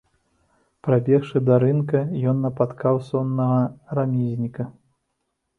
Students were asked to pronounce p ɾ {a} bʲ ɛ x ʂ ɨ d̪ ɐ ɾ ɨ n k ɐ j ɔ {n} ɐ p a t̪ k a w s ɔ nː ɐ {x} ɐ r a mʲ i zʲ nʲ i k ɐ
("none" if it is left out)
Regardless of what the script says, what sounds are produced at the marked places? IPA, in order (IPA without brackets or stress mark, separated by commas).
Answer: a, nː, ɣ